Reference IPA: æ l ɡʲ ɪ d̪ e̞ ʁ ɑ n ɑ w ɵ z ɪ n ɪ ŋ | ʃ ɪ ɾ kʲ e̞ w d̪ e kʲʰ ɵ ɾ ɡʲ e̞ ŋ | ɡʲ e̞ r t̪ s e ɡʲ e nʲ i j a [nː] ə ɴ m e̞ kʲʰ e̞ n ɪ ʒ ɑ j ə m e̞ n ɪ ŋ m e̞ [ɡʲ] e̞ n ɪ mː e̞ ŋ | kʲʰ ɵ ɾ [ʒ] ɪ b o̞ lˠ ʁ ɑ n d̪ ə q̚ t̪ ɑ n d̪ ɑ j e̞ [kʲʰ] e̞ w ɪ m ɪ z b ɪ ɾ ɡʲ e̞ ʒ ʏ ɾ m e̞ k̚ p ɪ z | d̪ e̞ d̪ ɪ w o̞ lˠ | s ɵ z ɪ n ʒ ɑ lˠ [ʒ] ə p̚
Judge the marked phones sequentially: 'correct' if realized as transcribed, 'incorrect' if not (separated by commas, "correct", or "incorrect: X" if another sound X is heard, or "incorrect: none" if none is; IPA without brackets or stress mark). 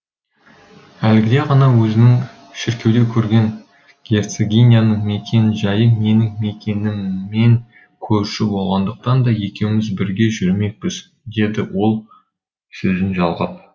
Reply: incorrect: n, incorrect: kʲ, incorrect: ʃ, incorrect: kʲ, incorrect: ʁ